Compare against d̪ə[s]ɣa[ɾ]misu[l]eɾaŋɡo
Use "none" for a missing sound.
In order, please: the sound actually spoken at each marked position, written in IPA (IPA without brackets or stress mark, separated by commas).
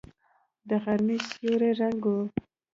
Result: none, ɾ, ɾ